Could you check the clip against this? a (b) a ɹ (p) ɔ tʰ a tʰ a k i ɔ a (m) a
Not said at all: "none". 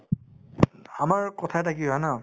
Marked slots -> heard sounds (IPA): m, k, n

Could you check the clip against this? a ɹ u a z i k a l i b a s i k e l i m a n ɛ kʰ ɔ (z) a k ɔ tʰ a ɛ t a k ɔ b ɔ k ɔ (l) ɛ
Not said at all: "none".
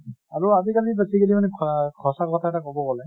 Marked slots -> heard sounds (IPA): s, l

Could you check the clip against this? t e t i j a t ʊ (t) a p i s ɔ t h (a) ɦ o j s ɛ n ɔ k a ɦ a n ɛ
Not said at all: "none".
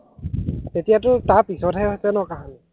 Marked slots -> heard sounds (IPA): t, ɛ

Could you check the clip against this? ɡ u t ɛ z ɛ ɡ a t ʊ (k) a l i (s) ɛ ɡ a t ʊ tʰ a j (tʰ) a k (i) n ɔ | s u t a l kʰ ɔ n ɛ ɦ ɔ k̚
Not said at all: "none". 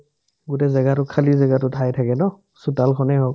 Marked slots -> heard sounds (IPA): kʰ, z, tʰ, ɛ

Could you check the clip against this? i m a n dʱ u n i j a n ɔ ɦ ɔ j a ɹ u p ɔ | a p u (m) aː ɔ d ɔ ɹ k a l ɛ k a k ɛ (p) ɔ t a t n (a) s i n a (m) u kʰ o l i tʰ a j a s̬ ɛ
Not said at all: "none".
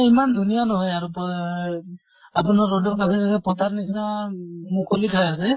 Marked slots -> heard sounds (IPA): n, p, i, m

